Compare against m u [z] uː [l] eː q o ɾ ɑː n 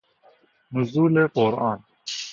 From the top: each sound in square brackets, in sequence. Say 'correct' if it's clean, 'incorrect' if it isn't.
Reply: correct, correct

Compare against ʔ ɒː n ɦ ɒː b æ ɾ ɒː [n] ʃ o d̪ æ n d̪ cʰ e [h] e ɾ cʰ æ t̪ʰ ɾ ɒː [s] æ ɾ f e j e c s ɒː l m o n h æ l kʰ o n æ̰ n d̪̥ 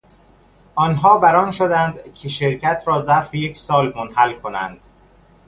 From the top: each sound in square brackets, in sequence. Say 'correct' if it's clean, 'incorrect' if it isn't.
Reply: correct, incorrect, incorrect

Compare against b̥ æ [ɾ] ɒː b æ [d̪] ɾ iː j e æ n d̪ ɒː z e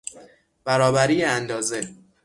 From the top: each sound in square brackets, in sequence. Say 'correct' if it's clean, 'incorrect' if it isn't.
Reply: correct, incorrect

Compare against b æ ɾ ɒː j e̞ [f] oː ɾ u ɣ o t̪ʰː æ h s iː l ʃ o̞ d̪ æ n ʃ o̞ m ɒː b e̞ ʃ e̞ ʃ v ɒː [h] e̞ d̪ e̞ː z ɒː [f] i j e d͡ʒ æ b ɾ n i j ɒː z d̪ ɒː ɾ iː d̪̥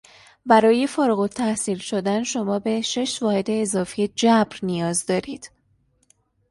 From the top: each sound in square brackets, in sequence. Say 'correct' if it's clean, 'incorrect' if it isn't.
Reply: correct, correct, correct

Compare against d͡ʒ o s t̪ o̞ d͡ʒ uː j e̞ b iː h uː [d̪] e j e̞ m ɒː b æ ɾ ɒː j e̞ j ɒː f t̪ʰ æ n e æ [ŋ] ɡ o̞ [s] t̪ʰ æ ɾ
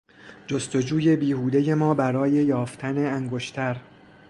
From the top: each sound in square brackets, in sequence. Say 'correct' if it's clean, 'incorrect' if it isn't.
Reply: correct, correct, incorrect

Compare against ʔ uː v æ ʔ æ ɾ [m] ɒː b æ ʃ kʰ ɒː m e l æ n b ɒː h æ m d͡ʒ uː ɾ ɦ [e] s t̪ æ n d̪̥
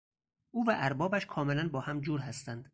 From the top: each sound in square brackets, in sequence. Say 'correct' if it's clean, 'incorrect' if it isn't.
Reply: incorrect, incorrect

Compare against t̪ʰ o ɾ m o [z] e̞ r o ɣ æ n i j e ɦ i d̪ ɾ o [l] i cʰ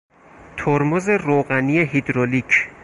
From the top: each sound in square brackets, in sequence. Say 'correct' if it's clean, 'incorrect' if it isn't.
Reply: correct, correct

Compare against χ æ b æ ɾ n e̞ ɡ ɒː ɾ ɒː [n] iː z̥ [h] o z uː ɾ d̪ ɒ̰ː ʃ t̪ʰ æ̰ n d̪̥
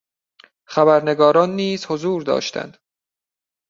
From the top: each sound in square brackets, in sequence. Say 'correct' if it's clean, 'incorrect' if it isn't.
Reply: incorrect, correct

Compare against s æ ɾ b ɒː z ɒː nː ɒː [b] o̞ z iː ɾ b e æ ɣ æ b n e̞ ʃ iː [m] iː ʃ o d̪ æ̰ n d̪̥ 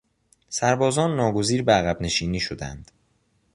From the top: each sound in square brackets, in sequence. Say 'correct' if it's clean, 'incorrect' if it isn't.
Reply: incorrect, incorrect

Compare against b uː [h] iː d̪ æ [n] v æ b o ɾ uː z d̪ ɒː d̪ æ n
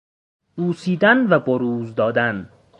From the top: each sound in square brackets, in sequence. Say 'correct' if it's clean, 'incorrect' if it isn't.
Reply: incorrect, correct

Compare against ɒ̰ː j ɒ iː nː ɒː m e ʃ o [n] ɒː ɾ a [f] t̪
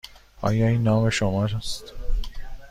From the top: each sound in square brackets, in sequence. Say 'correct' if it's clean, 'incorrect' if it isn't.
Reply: incorrect, incorrect

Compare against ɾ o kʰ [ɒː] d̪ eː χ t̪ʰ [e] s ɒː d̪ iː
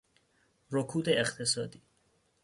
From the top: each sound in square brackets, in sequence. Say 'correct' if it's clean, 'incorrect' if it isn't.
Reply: incorrect, correct

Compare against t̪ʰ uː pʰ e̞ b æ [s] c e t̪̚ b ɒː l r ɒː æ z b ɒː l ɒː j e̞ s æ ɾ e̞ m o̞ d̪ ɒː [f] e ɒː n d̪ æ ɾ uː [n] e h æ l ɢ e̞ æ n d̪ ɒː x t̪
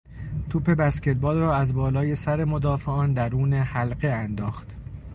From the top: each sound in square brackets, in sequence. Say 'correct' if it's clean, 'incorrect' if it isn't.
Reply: correct, correct, correct

